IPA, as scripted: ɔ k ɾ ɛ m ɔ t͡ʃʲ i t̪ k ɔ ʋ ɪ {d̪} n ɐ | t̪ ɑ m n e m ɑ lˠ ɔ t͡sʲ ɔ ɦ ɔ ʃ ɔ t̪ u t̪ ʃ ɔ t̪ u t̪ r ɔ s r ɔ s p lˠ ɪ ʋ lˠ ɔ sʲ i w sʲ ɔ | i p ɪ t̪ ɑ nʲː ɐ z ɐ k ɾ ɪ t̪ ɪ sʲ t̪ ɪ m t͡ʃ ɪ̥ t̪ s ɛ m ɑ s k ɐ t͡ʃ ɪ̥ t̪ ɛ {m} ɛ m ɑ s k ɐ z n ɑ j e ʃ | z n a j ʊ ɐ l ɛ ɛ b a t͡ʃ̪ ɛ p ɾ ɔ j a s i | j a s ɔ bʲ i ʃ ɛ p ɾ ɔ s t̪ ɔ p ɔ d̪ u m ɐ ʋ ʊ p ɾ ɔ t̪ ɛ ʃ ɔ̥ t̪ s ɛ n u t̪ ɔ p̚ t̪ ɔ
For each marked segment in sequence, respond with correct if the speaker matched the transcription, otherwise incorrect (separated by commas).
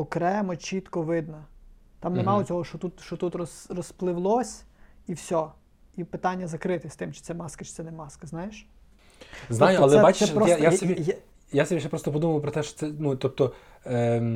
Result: correct, incorrect